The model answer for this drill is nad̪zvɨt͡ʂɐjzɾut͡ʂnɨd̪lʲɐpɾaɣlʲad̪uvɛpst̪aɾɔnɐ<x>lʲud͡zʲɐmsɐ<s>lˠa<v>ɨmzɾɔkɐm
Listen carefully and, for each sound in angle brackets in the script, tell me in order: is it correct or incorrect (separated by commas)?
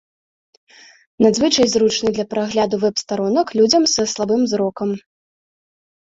incorrect, correct, incorrect